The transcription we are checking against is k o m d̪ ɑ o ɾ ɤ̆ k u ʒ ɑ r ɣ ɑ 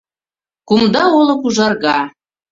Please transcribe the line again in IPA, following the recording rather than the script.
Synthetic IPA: k u m d̪ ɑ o l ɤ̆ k u ʒ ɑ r ɣ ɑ